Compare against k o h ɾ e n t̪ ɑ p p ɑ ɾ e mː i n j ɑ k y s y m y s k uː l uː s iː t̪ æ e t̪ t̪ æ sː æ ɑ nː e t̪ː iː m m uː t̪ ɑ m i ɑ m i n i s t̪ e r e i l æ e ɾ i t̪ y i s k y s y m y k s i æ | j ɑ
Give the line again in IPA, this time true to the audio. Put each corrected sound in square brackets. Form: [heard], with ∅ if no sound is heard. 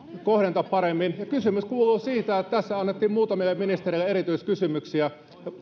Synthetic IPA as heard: k o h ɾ e n t̪ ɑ p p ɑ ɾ e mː i n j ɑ k y s y m y s k uː l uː s iː t̪ æ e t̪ t̪ æ sː æ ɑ nː e t̪ː iː m m uː t̪ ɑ m i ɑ m i n i s t̪ e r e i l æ e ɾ i t̪ y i s k y s y m y k s i æ | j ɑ